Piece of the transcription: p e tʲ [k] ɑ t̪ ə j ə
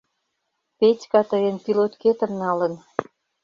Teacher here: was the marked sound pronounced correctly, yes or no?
yes